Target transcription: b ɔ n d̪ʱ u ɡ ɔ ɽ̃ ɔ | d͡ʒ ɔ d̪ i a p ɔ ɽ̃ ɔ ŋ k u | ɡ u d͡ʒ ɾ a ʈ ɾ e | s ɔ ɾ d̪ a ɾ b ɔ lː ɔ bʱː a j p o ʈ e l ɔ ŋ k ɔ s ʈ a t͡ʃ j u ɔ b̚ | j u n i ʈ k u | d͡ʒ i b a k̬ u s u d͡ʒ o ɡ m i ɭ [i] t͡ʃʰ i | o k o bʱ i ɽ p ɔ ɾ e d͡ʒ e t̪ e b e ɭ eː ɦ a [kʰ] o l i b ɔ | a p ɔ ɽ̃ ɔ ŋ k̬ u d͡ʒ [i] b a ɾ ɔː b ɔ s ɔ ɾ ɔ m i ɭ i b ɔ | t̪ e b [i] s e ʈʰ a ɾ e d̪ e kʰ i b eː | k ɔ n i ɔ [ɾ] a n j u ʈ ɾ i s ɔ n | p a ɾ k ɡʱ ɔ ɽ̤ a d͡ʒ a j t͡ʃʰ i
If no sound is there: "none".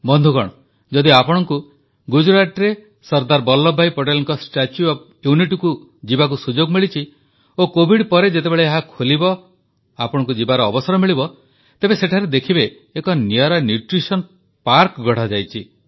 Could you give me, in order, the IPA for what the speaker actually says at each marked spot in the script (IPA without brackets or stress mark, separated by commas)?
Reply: i, kʰ, i, e, ɾ